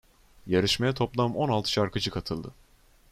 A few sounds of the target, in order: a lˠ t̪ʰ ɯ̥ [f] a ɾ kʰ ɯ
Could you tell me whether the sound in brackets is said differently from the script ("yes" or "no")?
yes